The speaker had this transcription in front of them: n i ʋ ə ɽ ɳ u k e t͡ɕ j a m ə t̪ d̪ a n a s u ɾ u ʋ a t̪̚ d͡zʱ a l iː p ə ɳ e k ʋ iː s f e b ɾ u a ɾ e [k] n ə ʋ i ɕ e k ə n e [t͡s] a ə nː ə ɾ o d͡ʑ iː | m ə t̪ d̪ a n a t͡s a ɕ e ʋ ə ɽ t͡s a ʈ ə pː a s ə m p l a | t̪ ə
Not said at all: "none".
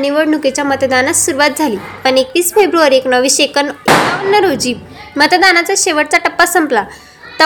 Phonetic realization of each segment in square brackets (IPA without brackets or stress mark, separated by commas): k, none